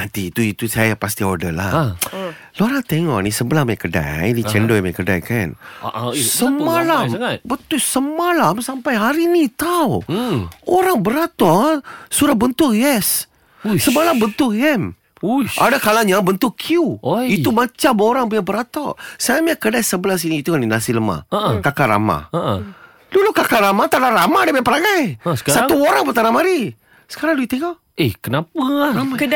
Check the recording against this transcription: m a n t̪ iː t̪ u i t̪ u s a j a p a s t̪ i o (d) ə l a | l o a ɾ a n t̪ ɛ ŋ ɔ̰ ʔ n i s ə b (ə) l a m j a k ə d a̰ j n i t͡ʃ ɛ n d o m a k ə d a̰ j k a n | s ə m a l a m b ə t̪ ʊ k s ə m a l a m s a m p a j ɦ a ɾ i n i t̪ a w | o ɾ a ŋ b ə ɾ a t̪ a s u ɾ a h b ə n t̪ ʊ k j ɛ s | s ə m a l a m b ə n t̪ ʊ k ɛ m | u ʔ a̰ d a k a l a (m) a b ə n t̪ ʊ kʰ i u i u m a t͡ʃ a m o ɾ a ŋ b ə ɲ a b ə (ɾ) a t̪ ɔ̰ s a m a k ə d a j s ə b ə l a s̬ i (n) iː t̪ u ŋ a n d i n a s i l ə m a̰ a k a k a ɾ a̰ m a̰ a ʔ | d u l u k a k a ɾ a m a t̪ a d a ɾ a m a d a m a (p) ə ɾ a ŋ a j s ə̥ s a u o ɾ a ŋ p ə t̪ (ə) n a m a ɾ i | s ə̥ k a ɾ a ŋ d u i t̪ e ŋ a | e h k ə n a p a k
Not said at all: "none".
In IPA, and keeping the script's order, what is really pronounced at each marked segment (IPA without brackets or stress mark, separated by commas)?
d, ə, ɲ, ɾ, n, p, a